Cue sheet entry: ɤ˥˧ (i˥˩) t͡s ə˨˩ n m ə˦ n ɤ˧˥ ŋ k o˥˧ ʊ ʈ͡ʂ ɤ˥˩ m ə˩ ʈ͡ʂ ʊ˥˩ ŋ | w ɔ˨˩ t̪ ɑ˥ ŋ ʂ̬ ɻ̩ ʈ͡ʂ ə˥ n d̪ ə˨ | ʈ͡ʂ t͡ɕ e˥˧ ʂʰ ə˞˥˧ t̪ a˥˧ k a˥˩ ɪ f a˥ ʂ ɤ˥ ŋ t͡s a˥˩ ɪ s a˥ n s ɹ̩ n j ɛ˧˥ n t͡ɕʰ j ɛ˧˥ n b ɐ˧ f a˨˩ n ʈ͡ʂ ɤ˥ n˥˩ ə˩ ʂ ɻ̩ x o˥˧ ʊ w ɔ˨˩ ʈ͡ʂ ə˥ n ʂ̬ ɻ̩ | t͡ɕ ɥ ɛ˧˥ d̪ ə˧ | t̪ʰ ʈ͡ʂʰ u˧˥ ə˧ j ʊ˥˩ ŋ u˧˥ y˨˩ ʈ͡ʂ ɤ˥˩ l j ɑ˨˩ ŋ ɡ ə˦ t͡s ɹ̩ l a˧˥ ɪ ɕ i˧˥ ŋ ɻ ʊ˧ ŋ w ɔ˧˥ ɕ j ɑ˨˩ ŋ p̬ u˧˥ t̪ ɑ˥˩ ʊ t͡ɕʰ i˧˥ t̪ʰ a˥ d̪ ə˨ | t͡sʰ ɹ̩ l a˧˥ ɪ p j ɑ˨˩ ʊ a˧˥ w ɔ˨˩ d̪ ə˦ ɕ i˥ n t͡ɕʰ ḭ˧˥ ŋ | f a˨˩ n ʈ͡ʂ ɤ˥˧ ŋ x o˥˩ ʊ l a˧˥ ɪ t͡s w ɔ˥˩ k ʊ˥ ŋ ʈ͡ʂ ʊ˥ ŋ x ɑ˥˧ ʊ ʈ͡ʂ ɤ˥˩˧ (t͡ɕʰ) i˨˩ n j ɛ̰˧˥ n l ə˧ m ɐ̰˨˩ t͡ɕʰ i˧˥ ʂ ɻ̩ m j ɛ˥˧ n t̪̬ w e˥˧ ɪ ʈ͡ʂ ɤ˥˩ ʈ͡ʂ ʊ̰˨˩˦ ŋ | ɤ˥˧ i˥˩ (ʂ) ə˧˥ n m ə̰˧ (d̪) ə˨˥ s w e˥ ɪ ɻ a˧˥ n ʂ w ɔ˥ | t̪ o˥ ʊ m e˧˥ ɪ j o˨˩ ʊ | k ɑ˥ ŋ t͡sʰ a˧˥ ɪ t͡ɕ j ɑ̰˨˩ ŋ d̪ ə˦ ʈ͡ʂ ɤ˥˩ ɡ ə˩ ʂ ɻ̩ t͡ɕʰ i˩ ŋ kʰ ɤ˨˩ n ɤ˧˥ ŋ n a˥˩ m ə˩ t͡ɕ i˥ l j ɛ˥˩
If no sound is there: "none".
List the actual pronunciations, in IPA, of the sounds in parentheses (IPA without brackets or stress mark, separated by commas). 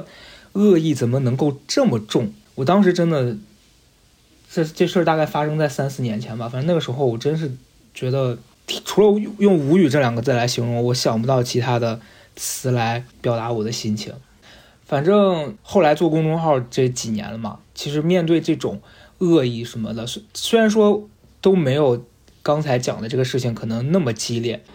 i˥˩, t͡ɕ, ʂ, d̪